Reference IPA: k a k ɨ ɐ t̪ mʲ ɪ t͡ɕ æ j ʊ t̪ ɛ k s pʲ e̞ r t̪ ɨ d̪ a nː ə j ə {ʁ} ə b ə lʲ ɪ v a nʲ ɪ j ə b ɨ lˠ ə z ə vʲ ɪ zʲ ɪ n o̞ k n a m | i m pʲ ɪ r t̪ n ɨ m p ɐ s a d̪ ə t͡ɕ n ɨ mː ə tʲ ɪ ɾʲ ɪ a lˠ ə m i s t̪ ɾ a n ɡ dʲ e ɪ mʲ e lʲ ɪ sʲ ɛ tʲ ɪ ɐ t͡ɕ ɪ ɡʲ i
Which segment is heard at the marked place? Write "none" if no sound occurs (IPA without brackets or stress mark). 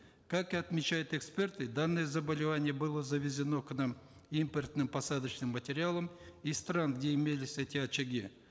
z